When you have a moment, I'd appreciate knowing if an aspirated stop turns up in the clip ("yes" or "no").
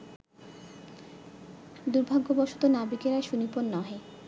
no